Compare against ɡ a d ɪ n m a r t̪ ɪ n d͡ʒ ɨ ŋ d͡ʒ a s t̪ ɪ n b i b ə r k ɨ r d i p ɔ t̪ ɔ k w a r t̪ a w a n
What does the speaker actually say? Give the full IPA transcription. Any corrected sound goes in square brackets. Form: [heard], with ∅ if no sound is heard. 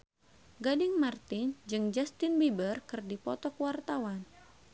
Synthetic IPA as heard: ɡ a d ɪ [ŋ] m a r t̪ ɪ n d͡ʒ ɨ ŋ d͡ʒ a s t̪ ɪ n b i b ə r k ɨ r d i p ɔ t̪ ɔ k w a r t̪ a w a n